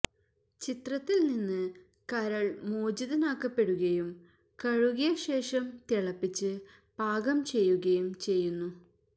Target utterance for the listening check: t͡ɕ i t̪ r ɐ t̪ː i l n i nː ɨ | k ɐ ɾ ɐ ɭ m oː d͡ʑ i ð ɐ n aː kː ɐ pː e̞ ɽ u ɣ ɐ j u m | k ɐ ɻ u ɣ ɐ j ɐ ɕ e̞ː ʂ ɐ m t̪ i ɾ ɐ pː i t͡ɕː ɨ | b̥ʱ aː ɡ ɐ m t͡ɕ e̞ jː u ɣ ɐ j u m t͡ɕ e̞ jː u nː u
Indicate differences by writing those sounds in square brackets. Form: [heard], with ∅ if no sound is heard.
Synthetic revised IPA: t͡ɕ i t̪ r ɐ t̪ː i l n i nː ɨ | k ɐ ɾ ɐ ɭ m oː d͡ʑ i ð ɐ n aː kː ɐ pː e̞ ɽ u ɣ ɐ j u m | k ɐ ɻ u ɣ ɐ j ɐ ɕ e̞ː ʂ ɐ m t̪ i [ɭ] ɐ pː i t͡ɕː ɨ | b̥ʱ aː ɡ ɐ m t͡ɕ e̞ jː u ɣ ɐ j u m t͡ɕ e̞ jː u nː u